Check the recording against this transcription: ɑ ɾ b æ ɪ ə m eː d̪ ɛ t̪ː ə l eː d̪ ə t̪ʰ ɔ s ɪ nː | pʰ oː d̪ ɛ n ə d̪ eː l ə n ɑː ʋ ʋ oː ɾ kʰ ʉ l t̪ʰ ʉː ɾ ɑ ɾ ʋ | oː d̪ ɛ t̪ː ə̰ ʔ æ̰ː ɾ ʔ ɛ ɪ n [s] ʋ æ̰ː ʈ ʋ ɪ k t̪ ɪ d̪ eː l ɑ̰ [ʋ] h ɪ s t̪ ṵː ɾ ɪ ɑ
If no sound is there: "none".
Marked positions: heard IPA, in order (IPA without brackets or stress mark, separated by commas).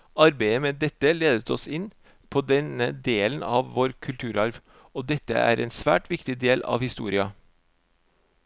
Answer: s, ʋ